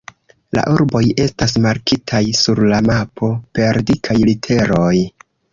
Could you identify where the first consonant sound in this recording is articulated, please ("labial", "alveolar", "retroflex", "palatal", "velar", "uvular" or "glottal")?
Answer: alveolar